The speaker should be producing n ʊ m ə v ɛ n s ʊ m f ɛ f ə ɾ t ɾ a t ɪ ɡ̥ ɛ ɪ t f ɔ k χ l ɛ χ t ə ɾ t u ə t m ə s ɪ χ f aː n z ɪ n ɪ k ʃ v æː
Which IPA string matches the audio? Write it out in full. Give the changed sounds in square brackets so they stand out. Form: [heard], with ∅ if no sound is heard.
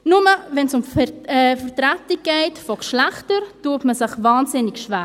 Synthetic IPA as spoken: n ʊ m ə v ɛ n s ʊ m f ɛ f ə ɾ t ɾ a t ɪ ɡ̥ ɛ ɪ t f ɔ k [ʃ] l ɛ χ t ə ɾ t u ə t m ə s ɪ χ [v] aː n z ɪ n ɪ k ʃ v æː